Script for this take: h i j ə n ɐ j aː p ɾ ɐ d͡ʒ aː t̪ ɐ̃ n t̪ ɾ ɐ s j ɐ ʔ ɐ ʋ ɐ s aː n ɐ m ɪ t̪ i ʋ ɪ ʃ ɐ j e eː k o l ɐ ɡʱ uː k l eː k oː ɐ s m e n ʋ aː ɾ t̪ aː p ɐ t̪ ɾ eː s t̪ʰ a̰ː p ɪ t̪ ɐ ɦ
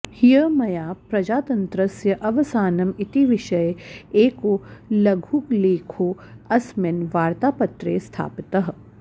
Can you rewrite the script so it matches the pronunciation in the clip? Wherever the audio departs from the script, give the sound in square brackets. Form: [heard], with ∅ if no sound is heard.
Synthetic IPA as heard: h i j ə [m] ɐ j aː p ɾ ɐ d͡ʒ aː t̪ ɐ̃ n t̪ ɾ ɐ s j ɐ ʔ ɐ ʋ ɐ s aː n ɐ m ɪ t̪ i ʋ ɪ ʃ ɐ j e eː k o l ɐ ɡʱ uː k l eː [kʰ] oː ɐ s m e n ʋ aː ɾ t̪ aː p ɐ t̪ ɾ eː s t̪ʰ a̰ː p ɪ t̪ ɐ ɦ